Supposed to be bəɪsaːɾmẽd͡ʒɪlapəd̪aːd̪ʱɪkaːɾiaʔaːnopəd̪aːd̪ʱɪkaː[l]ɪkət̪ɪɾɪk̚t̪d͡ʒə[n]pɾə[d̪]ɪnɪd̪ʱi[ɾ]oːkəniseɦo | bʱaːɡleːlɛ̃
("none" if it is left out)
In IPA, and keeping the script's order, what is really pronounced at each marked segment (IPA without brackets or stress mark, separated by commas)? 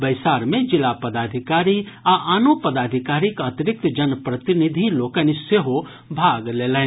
ɾ, n, t̪, l